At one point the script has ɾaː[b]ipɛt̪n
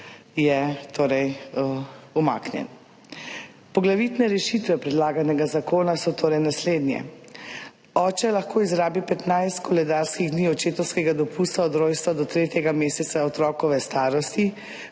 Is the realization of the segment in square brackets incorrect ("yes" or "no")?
no